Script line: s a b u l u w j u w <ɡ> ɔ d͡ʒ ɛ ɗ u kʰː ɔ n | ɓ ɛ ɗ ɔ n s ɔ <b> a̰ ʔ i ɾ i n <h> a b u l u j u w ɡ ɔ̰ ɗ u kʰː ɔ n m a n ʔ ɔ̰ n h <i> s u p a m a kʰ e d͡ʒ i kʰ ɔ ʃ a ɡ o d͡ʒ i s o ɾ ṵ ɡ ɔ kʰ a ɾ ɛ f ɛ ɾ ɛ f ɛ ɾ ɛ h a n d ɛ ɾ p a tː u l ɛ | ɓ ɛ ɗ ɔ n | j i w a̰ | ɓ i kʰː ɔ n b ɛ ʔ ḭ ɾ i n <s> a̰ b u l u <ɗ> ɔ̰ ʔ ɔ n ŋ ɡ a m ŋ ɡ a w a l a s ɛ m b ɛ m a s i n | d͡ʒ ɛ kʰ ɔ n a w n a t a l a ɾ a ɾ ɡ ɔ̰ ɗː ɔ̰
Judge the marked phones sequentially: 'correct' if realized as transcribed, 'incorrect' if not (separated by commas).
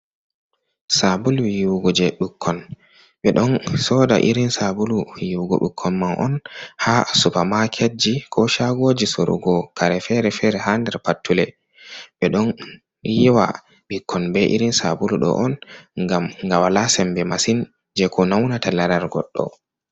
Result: correct, incorrect, incorrect, incorrect, correct, correct